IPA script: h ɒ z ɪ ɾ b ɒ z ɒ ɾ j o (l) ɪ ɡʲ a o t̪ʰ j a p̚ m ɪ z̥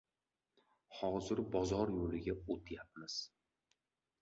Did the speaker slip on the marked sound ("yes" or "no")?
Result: no